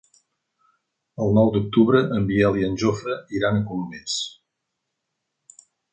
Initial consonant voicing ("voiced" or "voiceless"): voiced